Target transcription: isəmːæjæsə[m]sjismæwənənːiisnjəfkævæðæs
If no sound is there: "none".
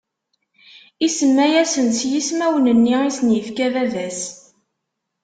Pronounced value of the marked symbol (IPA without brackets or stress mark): n